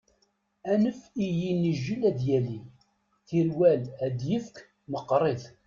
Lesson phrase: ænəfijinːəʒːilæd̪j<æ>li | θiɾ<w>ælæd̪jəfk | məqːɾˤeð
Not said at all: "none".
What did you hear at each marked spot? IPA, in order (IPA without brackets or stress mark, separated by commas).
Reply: æ, w